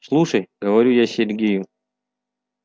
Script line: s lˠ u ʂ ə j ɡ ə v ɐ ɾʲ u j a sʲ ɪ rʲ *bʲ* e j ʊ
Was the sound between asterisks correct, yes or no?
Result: no